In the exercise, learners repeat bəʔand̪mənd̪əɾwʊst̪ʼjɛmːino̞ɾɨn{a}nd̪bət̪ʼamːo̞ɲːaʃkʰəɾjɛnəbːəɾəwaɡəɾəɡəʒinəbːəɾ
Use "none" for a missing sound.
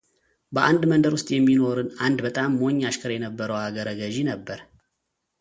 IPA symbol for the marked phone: a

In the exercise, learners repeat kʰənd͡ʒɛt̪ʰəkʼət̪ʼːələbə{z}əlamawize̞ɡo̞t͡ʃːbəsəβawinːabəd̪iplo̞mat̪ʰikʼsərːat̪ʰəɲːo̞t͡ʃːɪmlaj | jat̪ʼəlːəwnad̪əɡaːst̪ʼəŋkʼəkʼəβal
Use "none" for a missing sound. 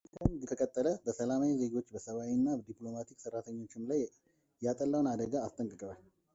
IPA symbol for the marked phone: s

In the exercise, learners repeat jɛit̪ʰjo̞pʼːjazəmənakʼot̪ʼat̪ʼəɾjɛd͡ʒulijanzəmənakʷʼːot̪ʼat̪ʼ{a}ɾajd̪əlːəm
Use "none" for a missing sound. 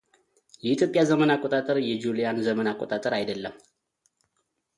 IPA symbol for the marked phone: ə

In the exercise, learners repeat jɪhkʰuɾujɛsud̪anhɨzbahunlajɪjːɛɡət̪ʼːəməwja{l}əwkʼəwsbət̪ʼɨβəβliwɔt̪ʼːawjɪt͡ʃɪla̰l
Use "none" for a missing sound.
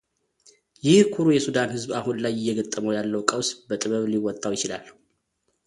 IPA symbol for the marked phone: lː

